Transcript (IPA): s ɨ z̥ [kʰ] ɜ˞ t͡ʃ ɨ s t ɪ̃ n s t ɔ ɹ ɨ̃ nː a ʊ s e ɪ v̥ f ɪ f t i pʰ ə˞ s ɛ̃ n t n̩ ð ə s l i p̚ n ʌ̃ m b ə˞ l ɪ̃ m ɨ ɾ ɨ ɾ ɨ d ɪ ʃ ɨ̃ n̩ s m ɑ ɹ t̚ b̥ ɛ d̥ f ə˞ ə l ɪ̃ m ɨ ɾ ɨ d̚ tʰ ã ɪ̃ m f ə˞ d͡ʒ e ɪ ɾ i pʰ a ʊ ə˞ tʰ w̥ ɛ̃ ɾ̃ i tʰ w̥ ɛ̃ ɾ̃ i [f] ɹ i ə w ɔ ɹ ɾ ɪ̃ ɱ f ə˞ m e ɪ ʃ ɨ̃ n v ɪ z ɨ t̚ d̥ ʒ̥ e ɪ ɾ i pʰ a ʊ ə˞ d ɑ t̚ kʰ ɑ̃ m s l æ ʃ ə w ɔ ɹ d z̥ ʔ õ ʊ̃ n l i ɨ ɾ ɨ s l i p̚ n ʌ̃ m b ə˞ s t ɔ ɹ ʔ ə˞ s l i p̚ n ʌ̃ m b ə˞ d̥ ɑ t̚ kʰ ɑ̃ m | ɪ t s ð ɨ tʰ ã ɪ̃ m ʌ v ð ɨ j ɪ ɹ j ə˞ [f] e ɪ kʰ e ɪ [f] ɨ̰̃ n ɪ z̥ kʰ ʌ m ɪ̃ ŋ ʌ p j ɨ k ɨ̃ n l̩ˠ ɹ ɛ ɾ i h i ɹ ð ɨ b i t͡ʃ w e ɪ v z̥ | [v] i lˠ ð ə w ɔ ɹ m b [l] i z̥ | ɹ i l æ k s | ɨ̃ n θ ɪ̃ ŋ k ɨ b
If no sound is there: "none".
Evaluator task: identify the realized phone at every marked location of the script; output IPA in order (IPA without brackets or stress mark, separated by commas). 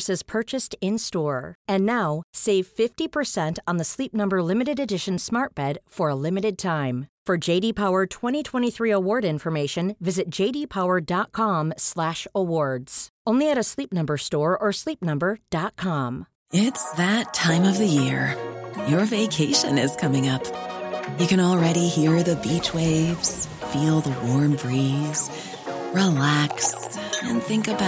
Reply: pʰ, θ, v, ʃ, f, ɹ